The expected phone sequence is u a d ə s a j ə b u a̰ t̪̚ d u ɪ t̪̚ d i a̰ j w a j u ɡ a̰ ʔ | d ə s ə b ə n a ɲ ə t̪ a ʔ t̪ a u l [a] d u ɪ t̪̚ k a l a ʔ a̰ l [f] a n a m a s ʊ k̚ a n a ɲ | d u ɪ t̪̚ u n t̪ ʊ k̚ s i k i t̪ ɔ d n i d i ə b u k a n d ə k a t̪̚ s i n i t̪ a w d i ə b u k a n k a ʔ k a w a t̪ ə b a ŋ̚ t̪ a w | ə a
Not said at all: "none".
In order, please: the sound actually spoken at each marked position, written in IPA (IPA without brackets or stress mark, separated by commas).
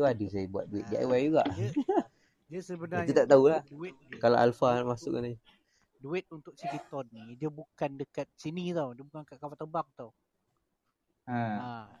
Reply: a, f